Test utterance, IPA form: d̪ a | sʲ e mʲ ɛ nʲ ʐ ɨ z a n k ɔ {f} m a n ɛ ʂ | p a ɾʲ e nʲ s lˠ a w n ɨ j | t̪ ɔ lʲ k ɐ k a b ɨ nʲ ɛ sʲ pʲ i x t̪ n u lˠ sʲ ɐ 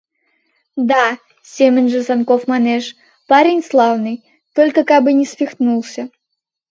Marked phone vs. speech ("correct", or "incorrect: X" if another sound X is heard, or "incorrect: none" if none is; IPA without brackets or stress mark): correct